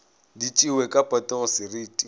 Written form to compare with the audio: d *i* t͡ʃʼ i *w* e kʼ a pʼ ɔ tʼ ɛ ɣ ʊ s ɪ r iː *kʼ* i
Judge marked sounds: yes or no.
yes, yes, no

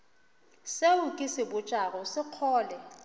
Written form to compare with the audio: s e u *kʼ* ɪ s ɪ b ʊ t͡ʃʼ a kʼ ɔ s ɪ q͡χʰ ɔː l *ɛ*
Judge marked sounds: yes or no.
yes, yes

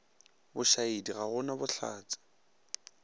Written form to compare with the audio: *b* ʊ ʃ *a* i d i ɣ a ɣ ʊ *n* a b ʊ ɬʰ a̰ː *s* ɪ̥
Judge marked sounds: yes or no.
yes, yes, yes, no

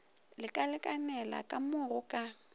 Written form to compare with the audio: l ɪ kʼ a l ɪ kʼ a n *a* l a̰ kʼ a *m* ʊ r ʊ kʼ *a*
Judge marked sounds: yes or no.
no, yes, yes

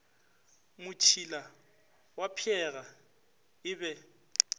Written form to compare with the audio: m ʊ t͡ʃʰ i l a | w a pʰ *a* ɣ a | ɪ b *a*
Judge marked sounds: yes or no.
no, no

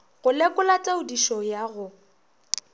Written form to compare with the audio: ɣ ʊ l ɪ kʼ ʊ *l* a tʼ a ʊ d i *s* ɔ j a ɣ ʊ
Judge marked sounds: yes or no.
yes, no

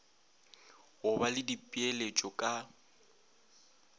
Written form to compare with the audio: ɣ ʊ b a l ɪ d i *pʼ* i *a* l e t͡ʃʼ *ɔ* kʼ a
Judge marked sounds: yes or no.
yes, no, yes

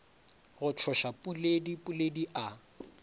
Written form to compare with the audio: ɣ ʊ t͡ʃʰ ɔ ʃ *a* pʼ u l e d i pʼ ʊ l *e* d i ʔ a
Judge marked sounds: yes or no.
yes, yes

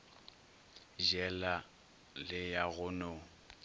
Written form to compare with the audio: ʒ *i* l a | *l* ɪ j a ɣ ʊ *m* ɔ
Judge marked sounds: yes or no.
no, yes, no

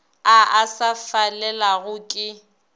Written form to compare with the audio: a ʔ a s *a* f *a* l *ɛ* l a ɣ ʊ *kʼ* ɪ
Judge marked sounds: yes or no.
yes, yes, yes, yes

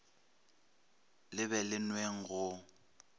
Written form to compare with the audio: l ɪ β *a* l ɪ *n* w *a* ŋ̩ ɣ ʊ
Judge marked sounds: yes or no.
no, yes, no

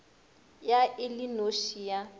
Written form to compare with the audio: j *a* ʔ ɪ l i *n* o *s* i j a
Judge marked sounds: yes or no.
yes, yes, no

